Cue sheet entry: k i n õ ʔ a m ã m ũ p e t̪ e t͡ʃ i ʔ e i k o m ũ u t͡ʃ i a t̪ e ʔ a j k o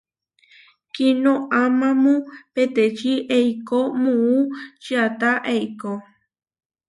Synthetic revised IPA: k i n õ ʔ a m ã m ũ p e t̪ e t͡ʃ i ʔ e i k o m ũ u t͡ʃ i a t̪ a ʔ e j k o